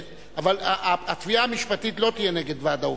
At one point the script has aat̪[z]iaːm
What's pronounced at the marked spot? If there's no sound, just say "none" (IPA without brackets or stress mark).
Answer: v